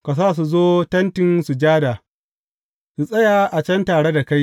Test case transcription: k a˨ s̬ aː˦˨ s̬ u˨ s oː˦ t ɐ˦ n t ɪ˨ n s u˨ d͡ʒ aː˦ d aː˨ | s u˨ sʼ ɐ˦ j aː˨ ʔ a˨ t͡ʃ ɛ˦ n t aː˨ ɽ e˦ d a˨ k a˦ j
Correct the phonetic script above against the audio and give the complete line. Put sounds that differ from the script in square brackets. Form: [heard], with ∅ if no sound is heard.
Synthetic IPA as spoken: k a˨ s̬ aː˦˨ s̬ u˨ [z] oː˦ t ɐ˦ n t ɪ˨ n s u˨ d͡ʒ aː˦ d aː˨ | s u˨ sʼ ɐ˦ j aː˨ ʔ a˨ t͡ʃ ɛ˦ n t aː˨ ɽ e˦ d a˨ k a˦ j